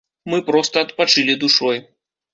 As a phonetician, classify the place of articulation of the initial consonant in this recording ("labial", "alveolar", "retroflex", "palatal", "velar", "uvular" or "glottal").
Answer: labial